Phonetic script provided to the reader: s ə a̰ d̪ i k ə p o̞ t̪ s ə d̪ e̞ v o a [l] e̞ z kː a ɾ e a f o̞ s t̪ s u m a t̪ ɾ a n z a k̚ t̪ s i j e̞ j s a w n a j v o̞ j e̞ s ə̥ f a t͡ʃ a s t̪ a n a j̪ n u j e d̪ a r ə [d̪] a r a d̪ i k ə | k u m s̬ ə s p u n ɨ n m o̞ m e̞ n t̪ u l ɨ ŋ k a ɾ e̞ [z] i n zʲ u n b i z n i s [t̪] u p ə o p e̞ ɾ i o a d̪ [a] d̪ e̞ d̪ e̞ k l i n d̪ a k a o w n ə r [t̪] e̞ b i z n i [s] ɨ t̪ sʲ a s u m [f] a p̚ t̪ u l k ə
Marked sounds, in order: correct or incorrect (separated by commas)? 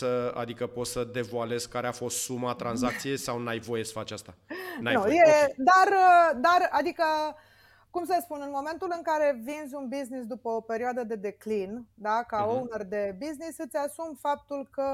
correct, correct, incorrect, incorrect, incorrect, incorrect, correct, correct